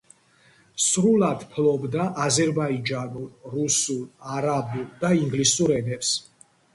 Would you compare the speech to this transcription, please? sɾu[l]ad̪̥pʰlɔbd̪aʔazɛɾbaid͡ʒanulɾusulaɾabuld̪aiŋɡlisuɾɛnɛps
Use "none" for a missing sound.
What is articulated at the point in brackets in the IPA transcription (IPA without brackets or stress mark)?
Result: l